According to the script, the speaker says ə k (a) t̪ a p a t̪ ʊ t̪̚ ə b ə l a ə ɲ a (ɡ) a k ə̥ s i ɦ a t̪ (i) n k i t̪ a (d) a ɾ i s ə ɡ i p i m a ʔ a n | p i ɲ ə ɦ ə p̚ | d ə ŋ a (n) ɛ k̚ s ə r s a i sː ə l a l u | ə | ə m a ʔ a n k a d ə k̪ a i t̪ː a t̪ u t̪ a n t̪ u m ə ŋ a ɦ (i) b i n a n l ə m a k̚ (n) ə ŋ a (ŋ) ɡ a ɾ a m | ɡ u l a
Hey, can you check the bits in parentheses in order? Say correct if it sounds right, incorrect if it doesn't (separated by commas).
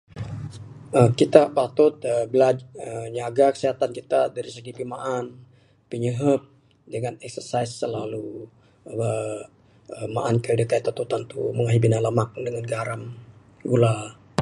incorrect, correct, incorrect, correct, correct, correct, incorrect, incorrect